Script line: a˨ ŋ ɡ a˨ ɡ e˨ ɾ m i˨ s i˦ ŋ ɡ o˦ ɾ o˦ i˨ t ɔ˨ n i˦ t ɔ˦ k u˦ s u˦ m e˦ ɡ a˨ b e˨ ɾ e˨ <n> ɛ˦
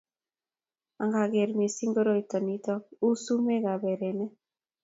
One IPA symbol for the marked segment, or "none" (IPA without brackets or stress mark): n